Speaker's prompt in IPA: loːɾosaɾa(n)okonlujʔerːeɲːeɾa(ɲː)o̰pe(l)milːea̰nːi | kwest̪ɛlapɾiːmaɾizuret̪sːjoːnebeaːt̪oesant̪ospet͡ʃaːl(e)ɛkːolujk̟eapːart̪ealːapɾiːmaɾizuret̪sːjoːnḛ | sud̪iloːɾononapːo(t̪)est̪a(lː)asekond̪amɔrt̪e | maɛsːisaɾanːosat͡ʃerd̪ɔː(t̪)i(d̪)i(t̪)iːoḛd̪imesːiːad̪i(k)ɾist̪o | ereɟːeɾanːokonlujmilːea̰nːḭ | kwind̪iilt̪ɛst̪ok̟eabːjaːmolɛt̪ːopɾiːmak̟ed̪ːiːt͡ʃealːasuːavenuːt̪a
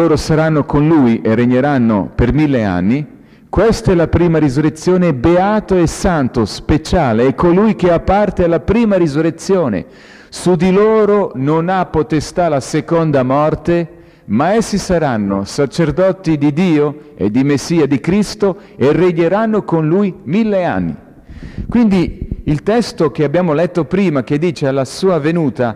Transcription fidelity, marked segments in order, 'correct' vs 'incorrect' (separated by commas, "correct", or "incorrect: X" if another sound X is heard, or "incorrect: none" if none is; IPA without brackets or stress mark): incorrect: nː, incorrect: nː, incorrect: r, correct, correct, incorrect: l, correct, correct, incorrect: d̪, correct